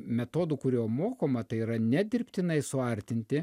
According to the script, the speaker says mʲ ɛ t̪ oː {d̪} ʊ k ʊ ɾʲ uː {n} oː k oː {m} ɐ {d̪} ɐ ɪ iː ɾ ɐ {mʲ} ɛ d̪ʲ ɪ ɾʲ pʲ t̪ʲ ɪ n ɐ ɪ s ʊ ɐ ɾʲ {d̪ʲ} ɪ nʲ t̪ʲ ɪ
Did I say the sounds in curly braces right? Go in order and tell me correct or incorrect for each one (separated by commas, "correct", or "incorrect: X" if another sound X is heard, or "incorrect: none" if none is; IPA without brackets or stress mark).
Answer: correct, incorrect: m, correct, incorrect: t̪, incorrect: nʲ, incorrect: t̪ʲ